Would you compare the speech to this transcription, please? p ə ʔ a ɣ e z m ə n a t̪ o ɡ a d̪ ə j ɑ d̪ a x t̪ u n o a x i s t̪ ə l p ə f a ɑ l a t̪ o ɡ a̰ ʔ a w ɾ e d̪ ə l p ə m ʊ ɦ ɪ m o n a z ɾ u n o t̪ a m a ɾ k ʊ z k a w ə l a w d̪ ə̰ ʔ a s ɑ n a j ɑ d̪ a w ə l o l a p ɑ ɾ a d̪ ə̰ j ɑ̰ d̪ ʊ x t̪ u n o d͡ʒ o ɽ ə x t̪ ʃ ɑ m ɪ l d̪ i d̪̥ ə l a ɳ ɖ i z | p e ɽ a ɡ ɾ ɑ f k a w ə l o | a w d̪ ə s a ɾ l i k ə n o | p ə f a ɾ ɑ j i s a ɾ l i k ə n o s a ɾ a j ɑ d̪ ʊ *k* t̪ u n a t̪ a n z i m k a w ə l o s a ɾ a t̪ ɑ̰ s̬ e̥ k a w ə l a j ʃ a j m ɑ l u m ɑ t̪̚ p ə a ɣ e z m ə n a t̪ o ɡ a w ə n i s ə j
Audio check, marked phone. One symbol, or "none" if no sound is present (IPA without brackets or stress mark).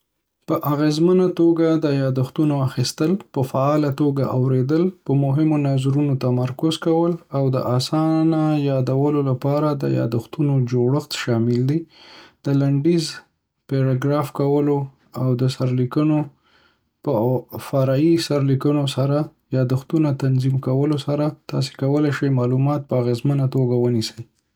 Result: x